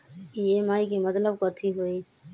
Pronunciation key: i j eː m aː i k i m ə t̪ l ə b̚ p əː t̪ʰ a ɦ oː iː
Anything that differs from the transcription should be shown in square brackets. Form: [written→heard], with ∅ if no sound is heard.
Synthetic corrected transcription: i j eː m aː i k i m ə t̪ l ə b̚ [p→k] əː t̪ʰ [a→i] ɦ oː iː